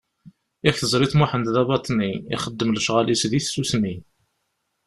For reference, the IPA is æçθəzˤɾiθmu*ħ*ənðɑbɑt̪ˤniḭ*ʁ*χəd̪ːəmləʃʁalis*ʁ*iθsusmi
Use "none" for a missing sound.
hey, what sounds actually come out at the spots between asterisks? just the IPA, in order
ħ, none, ð

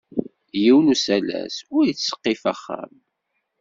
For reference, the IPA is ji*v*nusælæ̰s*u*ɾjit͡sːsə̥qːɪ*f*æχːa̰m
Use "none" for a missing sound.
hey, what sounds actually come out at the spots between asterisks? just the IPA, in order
w, ʊ, f

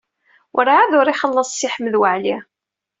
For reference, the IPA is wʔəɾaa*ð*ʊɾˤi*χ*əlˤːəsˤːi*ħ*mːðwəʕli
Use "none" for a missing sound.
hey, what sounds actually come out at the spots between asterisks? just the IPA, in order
ð, χ, ħ

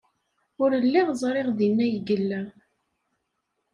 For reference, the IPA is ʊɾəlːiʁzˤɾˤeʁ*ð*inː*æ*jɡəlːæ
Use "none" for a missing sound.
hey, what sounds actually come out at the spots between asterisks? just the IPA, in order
ð, æ

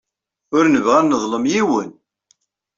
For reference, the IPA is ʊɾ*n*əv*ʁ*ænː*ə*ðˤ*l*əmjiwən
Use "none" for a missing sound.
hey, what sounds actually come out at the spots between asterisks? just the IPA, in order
n, ʁ, ə, l

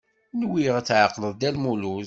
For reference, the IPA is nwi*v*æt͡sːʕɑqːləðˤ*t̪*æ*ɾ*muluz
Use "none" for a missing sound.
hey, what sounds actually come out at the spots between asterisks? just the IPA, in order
ʁ, d̪, l

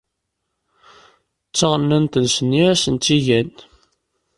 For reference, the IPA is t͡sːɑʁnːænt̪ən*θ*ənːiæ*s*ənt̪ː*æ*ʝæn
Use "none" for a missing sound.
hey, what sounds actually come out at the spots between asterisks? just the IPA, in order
s, s, i

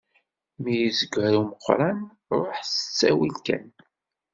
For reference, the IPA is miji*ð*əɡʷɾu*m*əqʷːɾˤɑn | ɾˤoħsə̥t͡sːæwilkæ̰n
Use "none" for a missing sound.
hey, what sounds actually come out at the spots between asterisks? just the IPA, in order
z, m

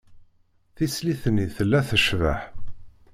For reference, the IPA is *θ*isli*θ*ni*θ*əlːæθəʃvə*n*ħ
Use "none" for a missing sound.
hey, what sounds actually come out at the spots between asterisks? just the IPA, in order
θ, θ, θ, none

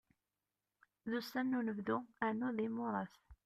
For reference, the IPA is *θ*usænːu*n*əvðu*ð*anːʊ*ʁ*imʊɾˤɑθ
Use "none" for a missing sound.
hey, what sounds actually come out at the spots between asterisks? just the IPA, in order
ð, n, none, ð

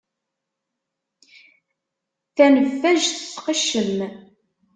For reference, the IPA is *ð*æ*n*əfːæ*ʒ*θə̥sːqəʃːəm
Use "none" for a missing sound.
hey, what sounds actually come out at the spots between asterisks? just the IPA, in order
θ, n, ʒ

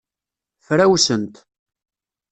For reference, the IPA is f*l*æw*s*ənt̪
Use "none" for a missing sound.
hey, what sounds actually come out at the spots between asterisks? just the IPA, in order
ɾ, s

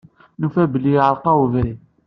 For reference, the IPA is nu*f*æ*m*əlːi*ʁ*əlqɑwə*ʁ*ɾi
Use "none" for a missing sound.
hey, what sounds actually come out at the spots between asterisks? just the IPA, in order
f, b, ʕ, v

